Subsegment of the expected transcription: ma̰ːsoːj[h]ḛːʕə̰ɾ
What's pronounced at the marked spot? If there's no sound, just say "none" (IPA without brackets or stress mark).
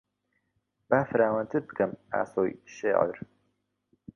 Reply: ʃ